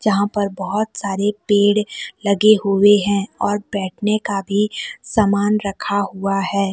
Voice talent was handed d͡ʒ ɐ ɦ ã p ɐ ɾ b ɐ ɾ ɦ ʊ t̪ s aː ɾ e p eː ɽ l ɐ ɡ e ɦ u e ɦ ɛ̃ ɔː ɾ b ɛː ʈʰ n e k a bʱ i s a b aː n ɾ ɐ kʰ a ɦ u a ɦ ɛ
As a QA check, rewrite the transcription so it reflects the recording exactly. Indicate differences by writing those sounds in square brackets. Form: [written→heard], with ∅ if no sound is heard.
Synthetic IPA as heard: d͡ʒ ɐ ɦ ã p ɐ ɾ b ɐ [ɾ→∅] ɦ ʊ t̪ s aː ɾ e p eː ɽ l ɐ ɡ e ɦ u e ɦ ɛ̃ ɔː ɾ b ɛː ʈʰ n e k a bʱ i s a [b→m] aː n ɾ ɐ kʰ a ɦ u a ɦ [ɛ→ɛː]